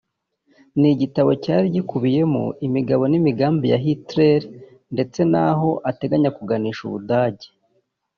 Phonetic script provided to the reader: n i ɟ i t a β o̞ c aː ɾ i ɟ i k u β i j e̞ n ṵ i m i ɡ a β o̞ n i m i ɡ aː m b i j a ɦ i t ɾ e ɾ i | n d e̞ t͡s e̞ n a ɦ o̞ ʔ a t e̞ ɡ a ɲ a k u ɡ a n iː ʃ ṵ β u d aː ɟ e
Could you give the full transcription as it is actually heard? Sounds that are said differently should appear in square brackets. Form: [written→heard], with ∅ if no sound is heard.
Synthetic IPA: n i ɟ i t a β o̞ c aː ɾ i ɟ i k u β i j e̞ [n→m] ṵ i m i ɡ a β o̞ n i m i ɡ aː m b i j a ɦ i t ɾ e ɾ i | n d e̞ t͡s e̞ n a ɦ o̞ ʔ a t e̞ ɡ a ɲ a k u ɡ a n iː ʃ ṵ β u d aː ɟ e